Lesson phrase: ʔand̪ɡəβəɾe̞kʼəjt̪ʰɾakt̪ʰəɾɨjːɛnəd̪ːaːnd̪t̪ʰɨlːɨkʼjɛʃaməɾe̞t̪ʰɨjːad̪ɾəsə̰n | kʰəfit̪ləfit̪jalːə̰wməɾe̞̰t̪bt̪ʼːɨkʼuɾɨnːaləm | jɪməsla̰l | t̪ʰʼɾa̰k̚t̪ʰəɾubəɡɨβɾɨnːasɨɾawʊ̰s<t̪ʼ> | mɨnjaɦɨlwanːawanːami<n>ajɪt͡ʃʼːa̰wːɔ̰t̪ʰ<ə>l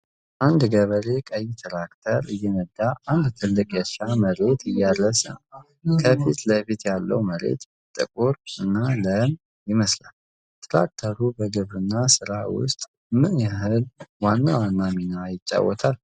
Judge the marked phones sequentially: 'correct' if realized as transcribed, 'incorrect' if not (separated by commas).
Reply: correct, correct, incorrect